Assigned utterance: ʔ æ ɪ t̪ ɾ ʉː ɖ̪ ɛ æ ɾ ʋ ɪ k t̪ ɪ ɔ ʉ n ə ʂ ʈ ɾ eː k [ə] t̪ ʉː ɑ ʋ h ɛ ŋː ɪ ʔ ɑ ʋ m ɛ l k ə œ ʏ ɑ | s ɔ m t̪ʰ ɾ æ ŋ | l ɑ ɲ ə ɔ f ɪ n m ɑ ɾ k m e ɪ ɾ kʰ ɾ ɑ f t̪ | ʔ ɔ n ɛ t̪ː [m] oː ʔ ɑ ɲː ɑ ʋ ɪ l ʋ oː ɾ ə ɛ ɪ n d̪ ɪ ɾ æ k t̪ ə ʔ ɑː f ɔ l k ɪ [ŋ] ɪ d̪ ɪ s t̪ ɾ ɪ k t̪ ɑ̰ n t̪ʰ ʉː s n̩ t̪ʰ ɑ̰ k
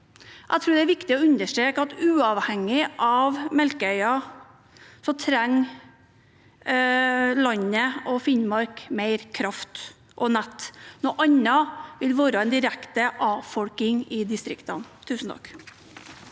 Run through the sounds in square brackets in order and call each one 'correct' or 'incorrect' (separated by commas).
incorrect, incorrect, correct